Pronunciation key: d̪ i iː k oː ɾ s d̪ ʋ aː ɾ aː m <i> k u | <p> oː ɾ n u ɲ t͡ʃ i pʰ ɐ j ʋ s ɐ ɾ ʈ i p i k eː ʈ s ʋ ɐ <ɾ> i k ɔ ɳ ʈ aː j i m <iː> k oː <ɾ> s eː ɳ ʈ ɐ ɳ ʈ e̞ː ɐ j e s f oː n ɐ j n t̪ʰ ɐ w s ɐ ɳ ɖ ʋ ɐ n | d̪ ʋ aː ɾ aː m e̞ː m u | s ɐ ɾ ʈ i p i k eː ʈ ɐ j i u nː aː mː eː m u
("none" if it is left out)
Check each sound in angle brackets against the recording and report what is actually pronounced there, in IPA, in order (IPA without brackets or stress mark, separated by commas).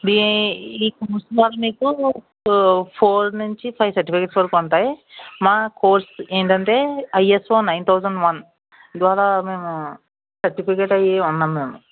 iː, pʰ, ɾ, aː, ɾ